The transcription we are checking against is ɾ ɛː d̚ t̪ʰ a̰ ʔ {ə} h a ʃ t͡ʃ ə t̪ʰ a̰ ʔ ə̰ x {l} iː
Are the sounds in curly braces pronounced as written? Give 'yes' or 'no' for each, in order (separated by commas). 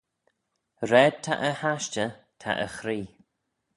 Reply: yes, no